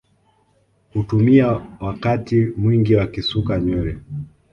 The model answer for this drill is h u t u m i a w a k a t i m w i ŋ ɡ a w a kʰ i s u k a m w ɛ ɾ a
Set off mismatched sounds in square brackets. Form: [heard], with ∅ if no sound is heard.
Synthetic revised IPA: h u t u m i a w a k a t i m w i ŋ ɡ [i] w a [k] i s u k a [ɲ] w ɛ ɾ [ɛ]